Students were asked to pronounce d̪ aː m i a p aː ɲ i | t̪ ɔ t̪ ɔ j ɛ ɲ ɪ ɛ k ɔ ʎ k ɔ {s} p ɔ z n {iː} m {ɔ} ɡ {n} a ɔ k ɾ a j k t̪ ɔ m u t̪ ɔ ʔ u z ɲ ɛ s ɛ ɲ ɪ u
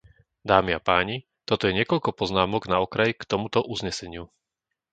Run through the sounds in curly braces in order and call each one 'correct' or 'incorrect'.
incorrect: none, incorrect: aː, correct, correct

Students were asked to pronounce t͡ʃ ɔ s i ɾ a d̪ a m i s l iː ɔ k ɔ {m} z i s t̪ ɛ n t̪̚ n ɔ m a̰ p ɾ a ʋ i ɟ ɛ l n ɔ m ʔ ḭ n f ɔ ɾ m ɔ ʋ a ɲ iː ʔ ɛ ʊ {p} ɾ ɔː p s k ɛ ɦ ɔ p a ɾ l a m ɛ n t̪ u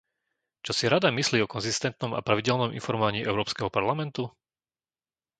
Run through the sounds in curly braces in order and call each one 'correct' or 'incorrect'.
incorrect: n, incorrect: none

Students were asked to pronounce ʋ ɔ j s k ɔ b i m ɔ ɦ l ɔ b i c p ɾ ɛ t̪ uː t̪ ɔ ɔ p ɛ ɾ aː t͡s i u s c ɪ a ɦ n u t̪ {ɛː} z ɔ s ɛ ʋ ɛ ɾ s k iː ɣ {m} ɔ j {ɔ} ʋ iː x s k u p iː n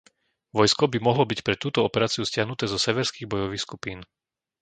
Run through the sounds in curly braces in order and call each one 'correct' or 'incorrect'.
correct, incorrect: b, correct

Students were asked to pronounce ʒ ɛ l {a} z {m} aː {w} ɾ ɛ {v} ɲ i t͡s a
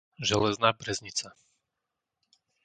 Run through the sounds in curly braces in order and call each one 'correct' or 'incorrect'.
incorrect: ɛ, incorrect: n, incorrect: b, incorrect: z

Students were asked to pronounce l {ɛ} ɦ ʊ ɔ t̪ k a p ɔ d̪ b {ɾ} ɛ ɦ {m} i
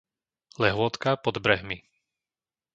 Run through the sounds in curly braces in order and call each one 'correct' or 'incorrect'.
correct, correct, correct

